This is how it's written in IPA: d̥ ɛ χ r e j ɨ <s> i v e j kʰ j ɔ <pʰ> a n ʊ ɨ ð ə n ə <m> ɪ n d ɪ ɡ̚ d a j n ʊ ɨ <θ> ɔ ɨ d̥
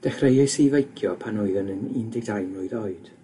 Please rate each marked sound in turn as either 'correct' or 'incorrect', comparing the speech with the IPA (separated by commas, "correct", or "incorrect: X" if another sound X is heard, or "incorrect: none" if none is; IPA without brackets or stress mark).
correct, correct, incorrect: n, incorrect: ð